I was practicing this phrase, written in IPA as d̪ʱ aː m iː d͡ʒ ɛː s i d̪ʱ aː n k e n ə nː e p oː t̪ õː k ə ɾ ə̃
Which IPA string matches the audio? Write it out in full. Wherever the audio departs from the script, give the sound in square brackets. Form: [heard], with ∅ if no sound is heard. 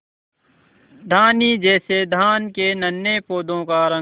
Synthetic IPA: d̪ʱ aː [n] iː d͡ʒ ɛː s [e] d̪ʱ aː n k e n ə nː e p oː [d̪] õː k [a] ɾ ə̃